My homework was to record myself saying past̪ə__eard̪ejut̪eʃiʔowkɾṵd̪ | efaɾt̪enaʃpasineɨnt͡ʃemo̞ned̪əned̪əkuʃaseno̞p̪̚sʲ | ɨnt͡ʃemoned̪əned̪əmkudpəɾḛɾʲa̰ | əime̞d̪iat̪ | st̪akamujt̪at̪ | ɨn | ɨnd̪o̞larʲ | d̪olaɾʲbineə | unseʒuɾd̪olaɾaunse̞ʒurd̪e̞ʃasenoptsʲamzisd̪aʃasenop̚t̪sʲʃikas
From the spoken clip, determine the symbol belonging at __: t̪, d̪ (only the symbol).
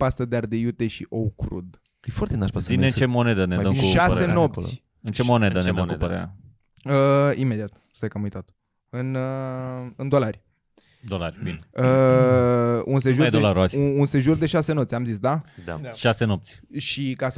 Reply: d̪